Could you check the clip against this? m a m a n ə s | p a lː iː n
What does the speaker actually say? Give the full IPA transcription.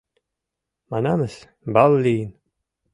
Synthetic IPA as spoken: m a n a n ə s | b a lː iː n